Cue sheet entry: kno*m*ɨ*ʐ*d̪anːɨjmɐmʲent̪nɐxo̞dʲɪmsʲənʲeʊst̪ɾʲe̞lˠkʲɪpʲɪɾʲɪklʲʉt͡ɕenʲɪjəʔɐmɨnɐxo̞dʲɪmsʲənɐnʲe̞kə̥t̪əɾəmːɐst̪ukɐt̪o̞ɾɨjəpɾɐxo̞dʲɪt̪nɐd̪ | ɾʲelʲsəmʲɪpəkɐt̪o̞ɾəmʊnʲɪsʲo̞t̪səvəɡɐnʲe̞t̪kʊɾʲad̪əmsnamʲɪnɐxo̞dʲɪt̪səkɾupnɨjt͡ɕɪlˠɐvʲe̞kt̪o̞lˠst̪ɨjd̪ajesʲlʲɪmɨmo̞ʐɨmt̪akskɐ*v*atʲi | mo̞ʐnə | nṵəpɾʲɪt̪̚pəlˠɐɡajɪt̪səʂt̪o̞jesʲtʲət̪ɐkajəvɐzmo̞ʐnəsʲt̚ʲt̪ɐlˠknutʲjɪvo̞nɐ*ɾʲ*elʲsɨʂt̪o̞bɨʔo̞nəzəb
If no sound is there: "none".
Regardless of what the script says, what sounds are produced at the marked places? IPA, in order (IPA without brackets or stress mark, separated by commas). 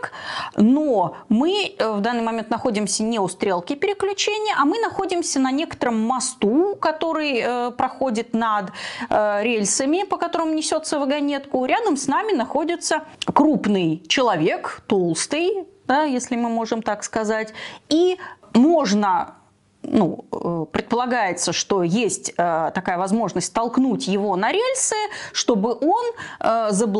m, v, z, ɾʲ